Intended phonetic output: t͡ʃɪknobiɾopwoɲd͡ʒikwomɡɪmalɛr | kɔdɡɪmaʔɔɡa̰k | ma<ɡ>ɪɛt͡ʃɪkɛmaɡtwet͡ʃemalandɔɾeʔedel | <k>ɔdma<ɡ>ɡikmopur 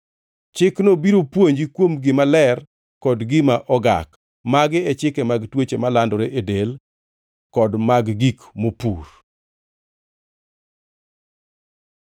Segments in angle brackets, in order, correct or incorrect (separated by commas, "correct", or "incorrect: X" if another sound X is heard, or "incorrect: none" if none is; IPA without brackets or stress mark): correct, correct, correct